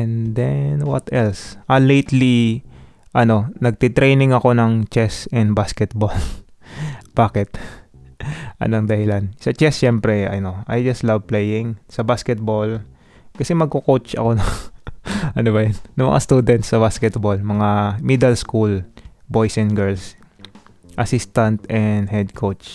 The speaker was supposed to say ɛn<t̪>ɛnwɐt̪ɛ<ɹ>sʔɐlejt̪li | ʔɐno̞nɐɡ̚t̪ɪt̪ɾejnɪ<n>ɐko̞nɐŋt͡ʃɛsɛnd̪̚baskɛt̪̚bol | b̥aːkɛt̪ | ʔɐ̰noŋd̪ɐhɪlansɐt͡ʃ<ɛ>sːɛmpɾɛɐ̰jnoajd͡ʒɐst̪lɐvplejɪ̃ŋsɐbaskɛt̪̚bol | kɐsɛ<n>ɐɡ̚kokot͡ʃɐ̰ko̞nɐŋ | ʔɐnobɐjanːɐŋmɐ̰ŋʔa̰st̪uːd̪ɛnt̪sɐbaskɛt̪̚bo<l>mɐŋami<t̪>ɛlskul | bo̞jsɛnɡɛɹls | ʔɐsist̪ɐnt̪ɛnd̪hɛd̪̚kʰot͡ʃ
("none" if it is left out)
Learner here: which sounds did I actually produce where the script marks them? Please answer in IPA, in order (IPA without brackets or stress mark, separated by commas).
d̪, l, ŋ, ɛ, m, l, d̪